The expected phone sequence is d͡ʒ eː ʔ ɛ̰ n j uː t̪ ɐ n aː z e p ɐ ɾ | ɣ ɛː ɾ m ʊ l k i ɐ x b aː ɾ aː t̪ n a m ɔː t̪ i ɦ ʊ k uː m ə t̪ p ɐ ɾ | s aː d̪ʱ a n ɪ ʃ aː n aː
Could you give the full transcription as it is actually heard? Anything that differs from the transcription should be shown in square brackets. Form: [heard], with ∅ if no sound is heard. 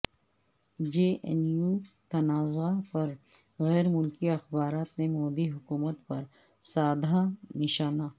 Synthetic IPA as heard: d͡ʒ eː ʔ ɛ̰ n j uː t̪ ɐ n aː z [a] p ɐ ɾ | ɣ ɛː ɾ m ʊ l k i ɐ x b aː ɾ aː t̪ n [e] m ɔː [d̪] i ɦ ʊ k uː m ə t̪ p ɐ ɾ | s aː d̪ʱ a n ɪ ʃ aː n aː